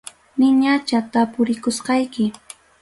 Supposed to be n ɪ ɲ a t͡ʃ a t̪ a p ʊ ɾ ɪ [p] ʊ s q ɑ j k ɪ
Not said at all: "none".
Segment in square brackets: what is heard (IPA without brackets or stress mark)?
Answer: k